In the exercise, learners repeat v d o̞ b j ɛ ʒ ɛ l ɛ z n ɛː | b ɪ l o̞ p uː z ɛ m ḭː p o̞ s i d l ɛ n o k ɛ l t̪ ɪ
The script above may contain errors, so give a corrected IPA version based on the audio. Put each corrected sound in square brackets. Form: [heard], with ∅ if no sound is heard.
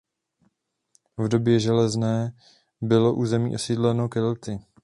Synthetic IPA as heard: v d o̞ b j ɛ ʒ ɛ l ɛ z n ɛː | b ɪ l o̞ [ʔ] uː z ɛ m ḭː [ʔ] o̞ s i d l ɛ n o k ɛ l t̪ ɪ